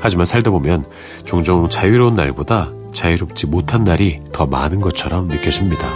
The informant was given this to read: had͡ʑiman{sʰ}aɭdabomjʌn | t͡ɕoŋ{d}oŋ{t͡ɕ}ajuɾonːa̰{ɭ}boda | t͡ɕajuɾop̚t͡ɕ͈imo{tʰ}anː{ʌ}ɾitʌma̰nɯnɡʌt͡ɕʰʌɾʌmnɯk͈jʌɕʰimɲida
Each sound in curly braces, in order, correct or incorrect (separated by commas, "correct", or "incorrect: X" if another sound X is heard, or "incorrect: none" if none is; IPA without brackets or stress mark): correct, incorrect: d͡ʑ, correct, correct, correct, incorrect: a